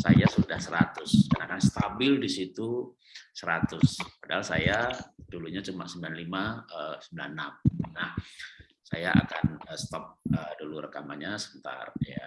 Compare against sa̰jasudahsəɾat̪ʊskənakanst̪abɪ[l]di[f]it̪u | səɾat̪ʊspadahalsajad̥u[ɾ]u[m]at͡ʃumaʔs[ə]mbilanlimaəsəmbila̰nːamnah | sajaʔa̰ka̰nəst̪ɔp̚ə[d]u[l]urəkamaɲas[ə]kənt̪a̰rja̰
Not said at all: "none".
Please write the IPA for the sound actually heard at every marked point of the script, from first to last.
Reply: l, s, l, ɲ, ə, d, l, ə

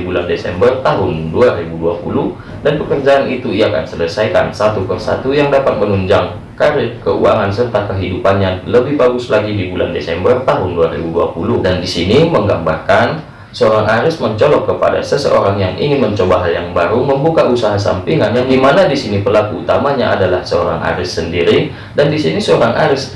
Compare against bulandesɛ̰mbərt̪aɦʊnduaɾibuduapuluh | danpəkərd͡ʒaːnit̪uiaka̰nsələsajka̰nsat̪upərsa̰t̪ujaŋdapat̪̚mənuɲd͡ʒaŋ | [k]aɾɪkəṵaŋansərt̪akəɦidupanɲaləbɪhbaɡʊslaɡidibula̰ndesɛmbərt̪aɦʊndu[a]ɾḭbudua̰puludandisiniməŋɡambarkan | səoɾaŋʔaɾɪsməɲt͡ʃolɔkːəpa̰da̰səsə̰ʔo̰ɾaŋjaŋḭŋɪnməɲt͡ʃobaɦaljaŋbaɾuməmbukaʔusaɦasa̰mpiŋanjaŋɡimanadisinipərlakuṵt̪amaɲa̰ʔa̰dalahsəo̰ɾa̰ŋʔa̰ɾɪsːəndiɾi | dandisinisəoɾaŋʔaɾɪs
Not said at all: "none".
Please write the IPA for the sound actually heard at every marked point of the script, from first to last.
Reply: k, a

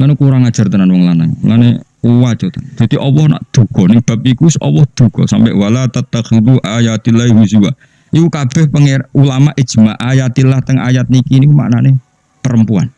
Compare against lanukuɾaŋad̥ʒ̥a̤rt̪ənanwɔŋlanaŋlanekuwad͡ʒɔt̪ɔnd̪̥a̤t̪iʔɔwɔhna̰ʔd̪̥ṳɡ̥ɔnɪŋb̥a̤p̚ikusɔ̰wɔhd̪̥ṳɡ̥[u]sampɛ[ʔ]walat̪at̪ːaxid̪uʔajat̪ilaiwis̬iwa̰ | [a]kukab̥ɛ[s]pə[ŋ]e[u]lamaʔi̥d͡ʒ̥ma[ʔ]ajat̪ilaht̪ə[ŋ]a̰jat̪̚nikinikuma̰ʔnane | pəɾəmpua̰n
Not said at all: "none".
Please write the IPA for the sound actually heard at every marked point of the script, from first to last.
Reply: ɔ, ʔ, i, h, ŋ, u, ʔ, ŋ

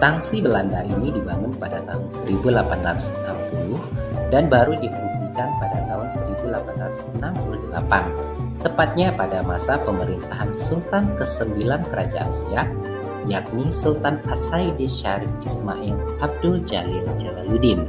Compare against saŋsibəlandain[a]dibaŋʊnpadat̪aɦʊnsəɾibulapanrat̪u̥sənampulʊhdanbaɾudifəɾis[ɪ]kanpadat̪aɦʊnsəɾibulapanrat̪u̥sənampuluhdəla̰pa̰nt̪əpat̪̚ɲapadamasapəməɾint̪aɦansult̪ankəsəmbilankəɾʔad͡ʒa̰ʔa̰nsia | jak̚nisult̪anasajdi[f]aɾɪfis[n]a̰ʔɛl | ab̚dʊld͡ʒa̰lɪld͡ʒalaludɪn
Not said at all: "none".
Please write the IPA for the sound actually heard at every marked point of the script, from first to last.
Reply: i, i, ʃ, m

